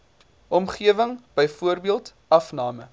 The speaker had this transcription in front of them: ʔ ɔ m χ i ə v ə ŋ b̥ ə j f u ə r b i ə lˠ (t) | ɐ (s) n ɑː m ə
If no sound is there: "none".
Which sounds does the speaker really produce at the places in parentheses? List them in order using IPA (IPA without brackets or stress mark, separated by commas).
t, f